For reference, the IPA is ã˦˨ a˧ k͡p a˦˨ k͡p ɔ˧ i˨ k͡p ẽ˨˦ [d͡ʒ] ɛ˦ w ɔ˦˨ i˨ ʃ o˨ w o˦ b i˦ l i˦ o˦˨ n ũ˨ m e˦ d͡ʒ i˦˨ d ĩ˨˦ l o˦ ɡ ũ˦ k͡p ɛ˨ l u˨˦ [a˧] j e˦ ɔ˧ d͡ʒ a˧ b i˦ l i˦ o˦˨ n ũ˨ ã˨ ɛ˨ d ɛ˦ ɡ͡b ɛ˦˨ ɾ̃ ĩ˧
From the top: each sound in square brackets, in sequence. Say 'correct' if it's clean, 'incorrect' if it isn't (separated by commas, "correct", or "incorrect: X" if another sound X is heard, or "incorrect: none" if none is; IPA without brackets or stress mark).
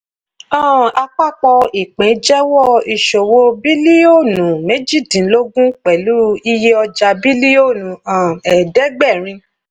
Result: correct, incorrect: i˧